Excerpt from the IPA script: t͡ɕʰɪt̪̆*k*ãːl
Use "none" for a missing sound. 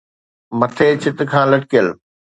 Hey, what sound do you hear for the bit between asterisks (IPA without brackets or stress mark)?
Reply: kʰ